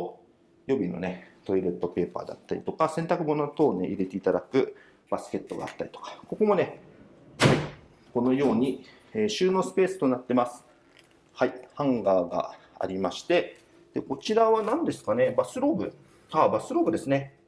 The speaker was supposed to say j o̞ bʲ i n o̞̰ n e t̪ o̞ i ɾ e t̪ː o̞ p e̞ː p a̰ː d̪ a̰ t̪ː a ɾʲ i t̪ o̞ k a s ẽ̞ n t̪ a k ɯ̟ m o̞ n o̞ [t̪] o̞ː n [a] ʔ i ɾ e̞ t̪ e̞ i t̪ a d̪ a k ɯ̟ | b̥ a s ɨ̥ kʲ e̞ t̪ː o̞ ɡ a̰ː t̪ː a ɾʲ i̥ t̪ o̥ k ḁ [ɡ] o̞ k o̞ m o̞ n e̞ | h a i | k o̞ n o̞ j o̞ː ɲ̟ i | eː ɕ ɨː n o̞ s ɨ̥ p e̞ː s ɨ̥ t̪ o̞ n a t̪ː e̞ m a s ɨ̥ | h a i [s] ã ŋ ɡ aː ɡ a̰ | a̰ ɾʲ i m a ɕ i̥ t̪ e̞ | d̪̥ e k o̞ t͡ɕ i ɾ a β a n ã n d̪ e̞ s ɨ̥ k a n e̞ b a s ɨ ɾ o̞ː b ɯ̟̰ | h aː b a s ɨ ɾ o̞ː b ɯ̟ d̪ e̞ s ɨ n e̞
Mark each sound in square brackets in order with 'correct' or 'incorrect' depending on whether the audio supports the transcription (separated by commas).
correct, incorrect, incorrect, incorrect